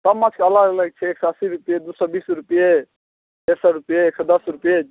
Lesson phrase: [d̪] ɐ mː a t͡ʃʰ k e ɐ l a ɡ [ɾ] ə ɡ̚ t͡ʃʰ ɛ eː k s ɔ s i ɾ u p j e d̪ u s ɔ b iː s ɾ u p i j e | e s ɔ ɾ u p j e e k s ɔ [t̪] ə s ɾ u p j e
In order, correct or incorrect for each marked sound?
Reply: incorrect, incorrect, incorrect

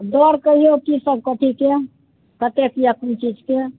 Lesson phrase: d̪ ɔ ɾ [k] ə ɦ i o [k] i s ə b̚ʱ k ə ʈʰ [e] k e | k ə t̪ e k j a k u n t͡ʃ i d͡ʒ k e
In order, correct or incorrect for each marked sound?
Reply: correct, correct, incorrect

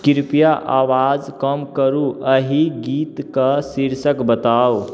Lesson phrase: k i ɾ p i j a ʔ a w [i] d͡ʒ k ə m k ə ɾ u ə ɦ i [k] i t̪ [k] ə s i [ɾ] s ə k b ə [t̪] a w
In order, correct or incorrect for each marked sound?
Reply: incorrect, incorrect, correct, correct, correct

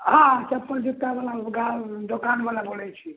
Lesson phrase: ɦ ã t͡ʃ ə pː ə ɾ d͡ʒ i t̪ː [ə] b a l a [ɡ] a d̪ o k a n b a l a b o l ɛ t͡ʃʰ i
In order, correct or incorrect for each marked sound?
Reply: incorrect, correct

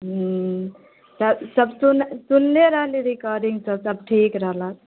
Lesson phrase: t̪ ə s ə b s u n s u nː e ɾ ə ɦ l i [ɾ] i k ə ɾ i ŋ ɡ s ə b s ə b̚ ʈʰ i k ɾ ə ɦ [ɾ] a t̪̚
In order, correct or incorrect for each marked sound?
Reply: correct, incorrect

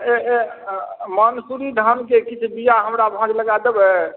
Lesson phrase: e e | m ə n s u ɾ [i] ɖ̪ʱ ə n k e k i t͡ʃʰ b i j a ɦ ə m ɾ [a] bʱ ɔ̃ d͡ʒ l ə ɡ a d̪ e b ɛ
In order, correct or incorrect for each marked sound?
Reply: correct, correct

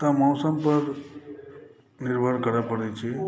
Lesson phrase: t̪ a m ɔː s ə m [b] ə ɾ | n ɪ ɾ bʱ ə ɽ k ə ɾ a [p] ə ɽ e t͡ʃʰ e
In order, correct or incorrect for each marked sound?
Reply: incorrect, correct

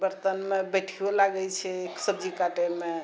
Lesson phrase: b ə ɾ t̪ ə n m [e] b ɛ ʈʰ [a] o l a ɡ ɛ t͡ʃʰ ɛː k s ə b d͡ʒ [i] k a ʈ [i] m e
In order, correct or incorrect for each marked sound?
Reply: correct, incorrect, correct, incorrect

